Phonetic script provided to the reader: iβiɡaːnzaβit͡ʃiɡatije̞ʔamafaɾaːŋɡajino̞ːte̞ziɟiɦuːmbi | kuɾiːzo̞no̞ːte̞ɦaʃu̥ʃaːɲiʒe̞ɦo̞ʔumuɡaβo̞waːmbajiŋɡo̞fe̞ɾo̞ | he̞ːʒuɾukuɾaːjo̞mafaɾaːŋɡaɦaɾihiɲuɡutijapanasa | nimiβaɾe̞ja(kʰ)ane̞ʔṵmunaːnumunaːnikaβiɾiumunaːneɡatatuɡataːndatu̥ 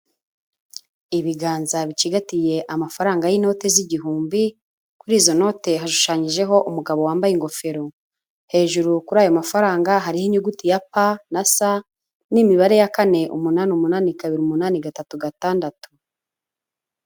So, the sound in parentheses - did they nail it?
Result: no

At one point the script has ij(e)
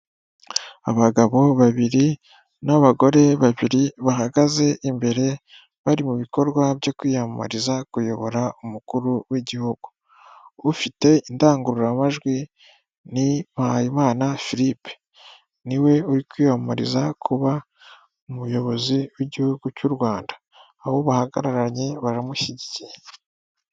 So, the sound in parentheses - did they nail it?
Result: yes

